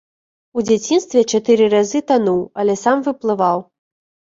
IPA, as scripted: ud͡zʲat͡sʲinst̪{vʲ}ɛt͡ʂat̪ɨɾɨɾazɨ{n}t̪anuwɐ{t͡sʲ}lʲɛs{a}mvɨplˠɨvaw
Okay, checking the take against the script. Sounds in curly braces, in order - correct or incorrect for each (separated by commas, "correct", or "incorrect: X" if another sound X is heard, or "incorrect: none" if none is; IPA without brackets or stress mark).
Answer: correct, incorrect: none, incorrect: none, correct